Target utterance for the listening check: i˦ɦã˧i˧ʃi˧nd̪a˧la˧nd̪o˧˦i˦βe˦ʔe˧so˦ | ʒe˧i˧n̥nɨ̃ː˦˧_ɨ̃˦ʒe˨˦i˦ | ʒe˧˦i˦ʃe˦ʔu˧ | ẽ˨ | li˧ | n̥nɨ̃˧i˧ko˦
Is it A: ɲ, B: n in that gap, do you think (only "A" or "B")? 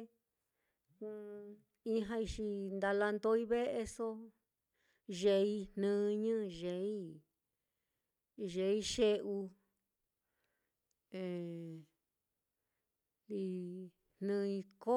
A